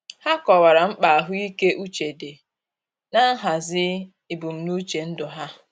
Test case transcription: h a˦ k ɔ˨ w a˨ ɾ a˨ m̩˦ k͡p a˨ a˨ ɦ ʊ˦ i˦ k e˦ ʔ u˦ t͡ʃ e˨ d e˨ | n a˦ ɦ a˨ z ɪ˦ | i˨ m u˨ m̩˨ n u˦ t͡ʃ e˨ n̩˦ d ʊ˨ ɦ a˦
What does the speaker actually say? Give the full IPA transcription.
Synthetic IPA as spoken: h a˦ k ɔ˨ w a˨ ɾ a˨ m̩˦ k͡p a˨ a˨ ɦ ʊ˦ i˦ k e˦ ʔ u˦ t͡ʃ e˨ d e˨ | n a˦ ɦ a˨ z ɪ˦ | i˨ b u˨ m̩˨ n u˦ t͡ʃ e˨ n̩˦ d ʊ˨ ɦ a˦